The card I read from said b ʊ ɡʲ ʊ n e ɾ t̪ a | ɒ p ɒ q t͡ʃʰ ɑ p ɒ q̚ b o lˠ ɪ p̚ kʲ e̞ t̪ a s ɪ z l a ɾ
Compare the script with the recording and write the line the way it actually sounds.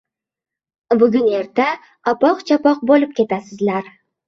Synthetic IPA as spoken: b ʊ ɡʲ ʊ n e ɾ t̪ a | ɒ p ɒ q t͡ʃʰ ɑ p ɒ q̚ b o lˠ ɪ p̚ kʲ e̞ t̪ a s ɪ z l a ɾ